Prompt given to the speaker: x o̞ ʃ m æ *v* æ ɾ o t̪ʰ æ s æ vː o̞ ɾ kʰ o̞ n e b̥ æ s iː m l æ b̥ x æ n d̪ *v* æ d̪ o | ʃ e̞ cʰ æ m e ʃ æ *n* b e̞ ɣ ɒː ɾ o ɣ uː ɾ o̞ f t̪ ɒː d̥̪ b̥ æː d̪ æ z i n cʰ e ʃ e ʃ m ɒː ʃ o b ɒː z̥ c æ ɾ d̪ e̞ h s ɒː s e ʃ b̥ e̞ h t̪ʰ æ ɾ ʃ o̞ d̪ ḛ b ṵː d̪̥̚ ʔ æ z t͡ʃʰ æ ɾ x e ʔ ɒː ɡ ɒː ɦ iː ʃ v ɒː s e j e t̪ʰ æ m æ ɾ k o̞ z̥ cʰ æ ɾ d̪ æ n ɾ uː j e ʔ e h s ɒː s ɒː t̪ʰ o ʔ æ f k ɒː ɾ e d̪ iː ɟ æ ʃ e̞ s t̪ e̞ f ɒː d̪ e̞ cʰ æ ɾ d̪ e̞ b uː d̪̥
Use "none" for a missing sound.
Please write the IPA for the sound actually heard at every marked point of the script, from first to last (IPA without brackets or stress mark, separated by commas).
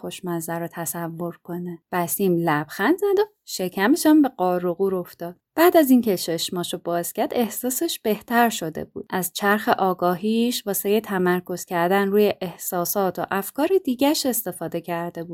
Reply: z, z, m